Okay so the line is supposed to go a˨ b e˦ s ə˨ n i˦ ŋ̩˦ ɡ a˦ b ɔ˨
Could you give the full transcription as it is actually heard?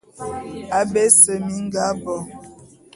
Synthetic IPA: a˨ b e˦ s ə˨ m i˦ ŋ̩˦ ɡ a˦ b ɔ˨